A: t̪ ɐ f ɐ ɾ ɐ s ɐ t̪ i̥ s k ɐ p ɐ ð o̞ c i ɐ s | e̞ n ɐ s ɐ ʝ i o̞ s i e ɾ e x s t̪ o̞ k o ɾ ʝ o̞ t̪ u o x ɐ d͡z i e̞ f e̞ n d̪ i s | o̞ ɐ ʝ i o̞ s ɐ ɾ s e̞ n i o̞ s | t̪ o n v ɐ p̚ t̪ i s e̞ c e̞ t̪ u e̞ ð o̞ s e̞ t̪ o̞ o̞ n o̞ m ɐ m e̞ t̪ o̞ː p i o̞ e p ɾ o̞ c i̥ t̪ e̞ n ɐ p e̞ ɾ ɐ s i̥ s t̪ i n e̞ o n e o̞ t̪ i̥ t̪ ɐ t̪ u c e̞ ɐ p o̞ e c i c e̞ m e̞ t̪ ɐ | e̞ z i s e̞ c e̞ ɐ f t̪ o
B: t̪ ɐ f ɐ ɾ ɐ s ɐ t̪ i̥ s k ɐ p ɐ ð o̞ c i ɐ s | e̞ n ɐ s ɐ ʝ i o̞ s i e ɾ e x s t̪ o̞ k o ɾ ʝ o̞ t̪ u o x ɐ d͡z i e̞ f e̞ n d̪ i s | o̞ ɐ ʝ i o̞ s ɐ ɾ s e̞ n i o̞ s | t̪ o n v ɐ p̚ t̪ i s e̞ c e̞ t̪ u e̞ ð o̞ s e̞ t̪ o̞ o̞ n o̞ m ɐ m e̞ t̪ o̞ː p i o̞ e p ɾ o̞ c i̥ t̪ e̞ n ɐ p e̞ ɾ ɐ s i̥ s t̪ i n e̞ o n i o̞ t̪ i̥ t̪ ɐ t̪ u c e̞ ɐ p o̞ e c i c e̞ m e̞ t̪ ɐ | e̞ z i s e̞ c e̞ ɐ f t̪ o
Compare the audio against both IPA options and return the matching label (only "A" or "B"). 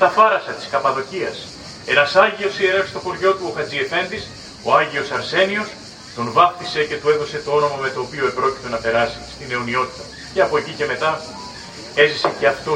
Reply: B